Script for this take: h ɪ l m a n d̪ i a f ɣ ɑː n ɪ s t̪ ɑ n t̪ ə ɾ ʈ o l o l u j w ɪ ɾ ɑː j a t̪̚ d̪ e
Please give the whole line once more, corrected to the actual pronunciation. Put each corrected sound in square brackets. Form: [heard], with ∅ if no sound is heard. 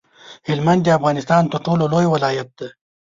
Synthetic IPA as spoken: h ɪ l m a n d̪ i a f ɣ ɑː n ɪ s t̪ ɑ n t̪ ə ɾ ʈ o l o l [o] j w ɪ [l] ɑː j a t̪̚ d̪ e